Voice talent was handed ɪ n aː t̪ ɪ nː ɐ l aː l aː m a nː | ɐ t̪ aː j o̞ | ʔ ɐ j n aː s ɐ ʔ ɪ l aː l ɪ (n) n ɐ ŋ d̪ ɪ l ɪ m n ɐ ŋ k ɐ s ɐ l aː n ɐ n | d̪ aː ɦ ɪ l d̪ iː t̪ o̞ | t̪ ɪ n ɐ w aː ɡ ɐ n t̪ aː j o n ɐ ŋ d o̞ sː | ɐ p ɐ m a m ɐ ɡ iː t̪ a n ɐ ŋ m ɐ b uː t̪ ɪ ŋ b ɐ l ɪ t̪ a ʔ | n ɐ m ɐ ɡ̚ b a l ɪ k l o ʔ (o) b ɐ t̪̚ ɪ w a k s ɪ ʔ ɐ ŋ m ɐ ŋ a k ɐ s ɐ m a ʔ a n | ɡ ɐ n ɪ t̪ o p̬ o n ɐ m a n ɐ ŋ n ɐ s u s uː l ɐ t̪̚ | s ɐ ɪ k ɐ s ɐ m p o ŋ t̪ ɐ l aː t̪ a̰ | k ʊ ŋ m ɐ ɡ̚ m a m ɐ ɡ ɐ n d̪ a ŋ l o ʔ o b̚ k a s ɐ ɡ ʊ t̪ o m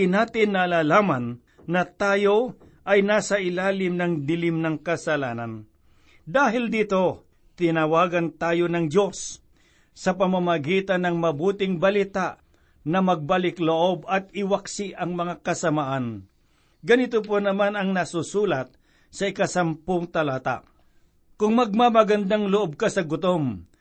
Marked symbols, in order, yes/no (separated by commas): no, yes